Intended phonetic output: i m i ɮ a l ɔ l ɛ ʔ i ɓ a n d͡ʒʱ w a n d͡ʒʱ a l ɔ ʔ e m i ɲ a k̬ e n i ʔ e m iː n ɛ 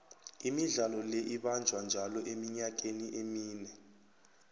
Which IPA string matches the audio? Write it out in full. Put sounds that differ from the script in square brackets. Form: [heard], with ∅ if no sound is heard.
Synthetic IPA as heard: i m i ɮ a l ɔ l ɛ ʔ i ɓ a n d͡ʒʱ w a n d͡ʒʱ a l ɔ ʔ e m i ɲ a k̬ e n i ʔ e m iː n ɛ